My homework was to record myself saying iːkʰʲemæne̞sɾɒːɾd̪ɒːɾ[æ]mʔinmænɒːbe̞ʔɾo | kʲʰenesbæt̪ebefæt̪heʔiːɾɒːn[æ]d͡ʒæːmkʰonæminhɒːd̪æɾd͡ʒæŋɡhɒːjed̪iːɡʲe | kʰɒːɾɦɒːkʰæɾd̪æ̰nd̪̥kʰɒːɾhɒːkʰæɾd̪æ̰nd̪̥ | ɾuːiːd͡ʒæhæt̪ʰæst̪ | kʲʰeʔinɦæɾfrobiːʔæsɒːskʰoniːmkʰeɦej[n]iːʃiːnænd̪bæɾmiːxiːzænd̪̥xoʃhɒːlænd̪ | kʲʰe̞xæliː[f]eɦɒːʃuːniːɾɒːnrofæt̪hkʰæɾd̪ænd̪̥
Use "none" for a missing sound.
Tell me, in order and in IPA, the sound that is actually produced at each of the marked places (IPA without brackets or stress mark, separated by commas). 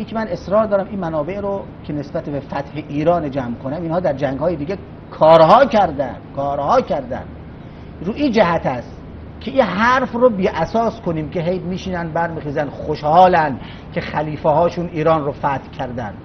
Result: æ, e, m, f